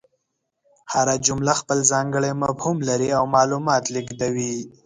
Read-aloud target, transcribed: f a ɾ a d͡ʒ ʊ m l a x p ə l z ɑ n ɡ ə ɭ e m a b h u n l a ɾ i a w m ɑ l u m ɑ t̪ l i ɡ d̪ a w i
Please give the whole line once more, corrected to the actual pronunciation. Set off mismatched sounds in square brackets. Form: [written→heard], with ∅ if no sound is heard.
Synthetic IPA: [f→h] a ɾ a d͡ʒ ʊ m l a x p ə l z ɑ [n→ŋ] ɡ ə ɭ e m a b h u [n→m] l a ɾ i a w m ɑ l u m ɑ t̪ l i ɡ d̪ a w i